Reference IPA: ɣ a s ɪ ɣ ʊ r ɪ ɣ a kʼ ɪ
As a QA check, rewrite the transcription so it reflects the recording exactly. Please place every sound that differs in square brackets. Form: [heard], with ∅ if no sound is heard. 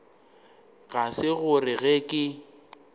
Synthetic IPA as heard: ɣ a s ɪ ɣ ʊ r ɪ ɣ [ɛ] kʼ ɪ

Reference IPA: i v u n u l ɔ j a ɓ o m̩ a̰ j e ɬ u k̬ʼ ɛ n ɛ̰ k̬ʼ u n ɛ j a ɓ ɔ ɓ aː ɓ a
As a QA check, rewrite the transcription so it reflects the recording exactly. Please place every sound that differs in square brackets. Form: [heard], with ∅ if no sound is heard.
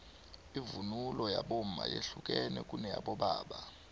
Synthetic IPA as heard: i v u n u l ɔ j a ɓ o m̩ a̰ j e ɬ u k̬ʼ ɛ n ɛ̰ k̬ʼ u n ɛ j a ɓ ɔ ɓ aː ɓ a

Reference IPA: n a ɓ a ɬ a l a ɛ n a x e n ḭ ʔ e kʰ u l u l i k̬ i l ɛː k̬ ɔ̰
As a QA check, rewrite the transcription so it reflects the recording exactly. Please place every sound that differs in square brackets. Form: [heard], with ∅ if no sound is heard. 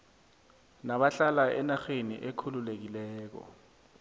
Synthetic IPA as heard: n a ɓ a ɬ a l a ɛ n a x e n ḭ ʔ e kʰ u l u l [e] k̬ i l ɛː k̬ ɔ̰

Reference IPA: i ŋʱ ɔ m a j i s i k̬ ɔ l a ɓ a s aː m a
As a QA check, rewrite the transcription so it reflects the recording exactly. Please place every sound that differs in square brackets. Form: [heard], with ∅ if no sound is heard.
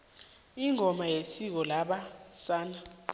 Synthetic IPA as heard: i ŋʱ ɔ m a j [e] s i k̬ ɔ l a ɓ a s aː [n] a

